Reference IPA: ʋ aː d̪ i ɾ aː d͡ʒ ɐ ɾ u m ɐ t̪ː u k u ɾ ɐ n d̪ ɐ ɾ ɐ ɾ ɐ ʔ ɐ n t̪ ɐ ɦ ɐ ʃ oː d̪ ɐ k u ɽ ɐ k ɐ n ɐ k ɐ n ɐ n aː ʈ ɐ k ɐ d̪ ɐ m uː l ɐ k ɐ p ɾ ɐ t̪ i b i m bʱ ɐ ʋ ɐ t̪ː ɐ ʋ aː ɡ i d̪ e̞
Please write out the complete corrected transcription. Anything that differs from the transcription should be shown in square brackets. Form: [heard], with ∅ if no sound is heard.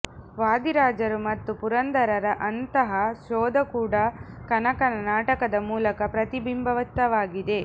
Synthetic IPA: ʋ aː d̪ i ɾ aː d͡ʒ ɐ ɾ u m ɐ t̪ː u [p] u ɾ ɐ n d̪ ɐ ɾ ɐ ɾ ɐ ʔ ɐ n t̪ ɐ ɦ ɐ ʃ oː d̪ ɐ k [uː] ɽ ɐ k ɐ n ɐ k ɐ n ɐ n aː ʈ ɐ k ɐ d̪ ɐ m uː l ɐ k ɐ p ɾ ɐ t̪ i b i m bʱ ɐ ʋ ɐ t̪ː ɐ ʋ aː ɡ i d̪ e̞

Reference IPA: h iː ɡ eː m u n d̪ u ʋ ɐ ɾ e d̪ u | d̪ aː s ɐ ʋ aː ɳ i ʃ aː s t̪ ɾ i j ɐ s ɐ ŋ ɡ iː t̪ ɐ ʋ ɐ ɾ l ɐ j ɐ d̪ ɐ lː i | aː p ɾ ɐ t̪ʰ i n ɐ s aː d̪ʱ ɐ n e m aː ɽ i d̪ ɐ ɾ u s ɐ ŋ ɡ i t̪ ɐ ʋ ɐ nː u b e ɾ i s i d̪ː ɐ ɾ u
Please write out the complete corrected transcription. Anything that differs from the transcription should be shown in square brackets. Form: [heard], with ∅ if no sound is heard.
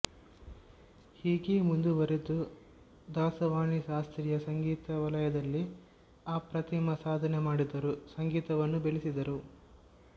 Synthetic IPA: h iː ɡ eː m u n d̪ u ʋ ɐ ɾ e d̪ u | d̪ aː s ɐ ʋ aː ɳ i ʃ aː s t̪ ɾ i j ɐ s ɐ ŋ ɡ iː t̪ ɐ ʋ ɐ [∅] l ɐ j ɐ d̪ ɐ lː i | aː p ɾ ɐ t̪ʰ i [m] ɐ s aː d̪ʱ ɐ n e m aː ɽ i d̪ ɐ ɾ u s ɐ ŋ ɡ [iː] t̪ ɐ ʋ ɐ nː u b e [ɭ] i s i [d̪] ɐ ɾ u

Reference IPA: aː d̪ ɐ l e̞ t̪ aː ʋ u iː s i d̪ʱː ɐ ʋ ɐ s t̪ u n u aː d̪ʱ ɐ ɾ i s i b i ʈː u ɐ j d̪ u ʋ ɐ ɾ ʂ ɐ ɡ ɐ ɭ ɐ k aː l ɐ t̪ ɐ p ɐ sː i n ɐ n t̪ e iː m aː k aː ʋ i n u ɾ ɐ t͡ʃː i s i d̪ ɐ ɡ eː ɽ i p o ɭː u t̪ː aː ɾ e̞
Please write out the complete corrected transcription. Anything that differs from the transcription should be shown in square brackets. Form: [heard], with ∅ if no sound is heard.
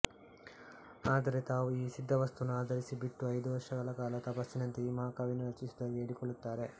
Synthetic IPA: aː d̪ ɐ [ɾ] e̞ t̪ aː ʋ u iː s i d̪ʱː ɐ ʋ ɐ s t̪ u n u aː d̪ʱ ɐ ɾ i s i b i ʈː u ɐ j d̪ u ʋ ɐ ɾ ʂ ɐ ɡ ɐ ɭ ɐ k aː l ɐ t̪ ɐ p ɐ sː i n ɐ n t̪ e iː m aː k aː ʋ i n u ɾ ɐ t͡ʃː i s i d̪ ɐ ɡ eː ɽ i [k] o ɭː u t̪ː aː ɾ e̞

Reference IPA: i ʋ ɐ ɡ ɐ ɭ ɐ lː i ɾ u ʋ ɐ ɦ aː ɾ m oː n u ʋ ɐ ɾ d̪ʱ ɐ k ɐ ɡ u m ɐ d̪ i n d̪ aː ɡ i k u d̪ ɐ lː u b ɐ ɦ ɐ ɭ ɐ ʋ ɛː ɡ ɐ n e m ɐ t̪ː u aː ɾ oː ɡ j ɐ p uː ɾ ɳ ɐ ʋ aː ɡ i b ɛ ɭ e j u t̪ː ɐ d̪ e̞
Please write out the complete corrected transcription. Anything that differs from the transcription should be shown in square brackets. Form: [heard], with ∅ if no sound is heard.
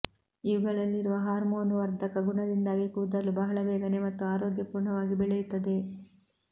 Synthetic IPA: i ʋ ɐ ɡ ɐ ɭ ɐ lː i ɾ u ʋ ɐ ɦ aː ɾ m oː n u ʋ ɐ ɾ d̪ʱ ɐ k ɐ ɡ u [ɳ] ɐ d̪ i n d̪ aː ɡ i k u d̪ ɐ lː u b ɐ ɦ ɐ ɭ ɐ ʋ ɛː ɡ ɐ n e m ɐ t̪ː u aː ɾ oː ɡ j ɐ p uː ɾ ɳ ɐ ʋ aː ɡ i b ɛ ɭ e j u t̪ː ɐ d̪ e̞

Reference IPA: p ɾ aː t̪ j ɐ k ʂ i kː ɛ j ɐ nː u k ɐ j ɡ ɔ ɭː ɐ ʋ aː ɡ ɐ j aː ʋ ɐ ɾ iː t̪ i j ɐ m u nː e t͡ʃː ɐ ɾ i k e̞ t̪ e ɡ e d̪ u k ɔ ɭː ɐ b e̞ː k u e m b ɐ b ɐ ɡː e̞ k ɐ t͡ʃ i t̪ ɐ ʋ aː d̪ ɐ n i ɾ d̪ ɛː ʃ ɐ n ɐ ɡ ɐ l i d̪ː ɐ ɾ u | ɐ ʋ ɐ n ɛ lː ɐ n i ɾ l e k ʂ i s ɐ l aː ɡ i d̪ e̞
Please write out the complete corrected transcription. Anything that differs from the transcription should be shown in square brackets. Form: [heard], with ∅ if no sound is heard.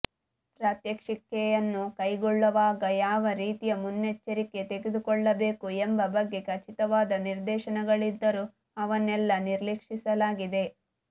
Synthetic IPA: p ɾ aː t̪ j ɐ k ʂ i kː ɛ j ɐ nː u k ɐ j ɡ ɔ ɭː ɐ ʋ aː ɡ ɐ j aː ʋ ɐ ɾ iː t̪ i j ɐ m u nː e t͡ʃː ɐ ɾ i k e̞ t̪ e ɡ e d̪ u k ɔ ɭː ɐ b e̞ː k u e m b ɐ b ɐ ɡː e̞ k ɐ t͡ʃ i t̪ ɐ ʋ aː d̪ ɐ n i ɾ d̪ ɛː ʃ ɐ n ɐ ɡ ɐ [ɭ] i d̪ː ɐ ɾ u | ɐ ʋ ɐ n ɛ lː ɐ n i ɾ l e k ʂ i s ɐ l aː ɡ i d̪ e̞

